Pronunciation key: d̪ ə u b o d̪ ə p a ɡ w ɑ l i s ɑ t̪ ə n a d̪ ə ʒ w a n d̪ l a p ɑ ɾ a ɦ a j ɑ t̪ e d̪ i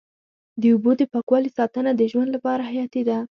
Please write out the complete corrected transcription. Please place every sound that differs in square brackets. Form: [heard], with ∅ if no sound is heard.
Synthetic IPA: d̪ ə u b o d̪ ə p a [k] w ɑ l i s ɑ t̪ ə n a d̪ ə ʒ w a n d̪ l a p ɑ ɾ a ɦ a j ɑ t̪ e d̪ [a]